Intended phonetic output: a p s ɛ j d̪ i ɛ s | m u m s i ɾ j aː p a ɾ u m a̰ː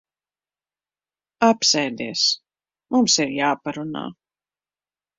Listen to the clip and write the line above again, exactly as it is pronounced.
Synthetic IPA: a p s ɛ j d̪ i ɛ s | m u m s i ɾ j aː p a ɾ u n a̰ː

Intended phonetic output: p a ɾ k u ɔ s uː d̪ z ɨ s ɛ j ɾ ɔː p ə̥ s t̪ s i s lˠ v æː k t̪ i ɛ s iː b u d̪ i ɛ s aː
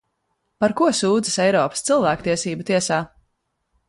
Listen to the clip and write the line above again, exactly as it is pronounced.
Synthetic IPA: p a ɾ k u ɔ s uː d̪ z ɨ s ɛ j ɾ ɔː p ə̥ s t̪ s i lˠ v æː k t̪ i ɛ s iː b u t̪ i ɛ s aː

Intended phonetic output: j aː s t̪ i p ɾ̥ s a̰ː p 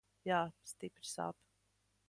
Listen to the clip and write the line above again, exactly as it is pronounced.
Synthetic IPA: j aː s t̪ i p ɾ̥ s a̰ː p

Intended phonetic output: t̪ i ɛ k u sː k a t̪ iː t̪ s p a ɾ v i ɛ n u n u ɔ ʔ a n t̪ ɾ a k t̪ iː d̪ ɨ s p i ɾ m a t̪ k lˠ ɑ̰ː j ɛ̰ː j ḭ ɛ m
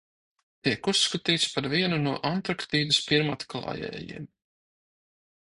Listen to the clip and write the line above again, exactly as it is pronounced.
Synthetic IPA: t̪ i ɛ k u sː k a t̪ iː t̪ s p a ɾ v i ɛ n u n u ɔ ʔ a n t̪ ɾ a k t̪ iː d̪ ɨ s p i ɾ m a t̪ k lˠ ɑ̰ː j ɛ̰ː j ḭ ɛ m

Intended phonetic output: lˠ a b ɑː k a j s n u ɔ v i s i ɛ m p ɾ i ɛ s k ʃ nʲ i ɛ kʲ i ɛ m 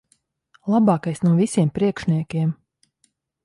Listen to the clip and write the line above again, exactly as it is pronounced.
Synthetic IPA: lˠ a b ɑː k a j s n u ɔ v i s i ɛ m p ɾ i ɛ k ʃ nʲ i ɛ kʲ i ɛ m

